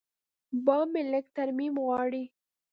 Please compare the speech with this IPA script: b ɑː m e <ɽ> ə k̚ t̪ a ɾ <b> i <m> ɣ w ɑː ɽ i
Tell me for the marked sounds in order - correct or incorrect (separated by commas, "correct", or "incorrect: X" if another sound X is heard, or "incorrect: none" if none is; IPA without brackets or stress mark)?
incorrect: l, incorrect: m, correct